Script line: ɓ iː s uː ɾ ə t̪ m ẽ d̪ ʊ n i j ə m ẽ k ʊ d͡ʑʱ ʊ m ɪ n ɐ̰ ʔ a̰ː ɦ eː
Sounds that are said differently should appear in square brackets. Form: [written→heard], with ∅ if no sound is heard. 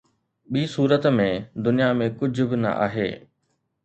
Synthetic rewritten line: ɓ iː s uː ɾ ə t̪ m ẽ d̪ ʊ n i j [ə→a] m ẽ k ʊ d͡ʑʱ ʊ [m→b] ɪ n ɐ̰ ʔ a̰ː ɦ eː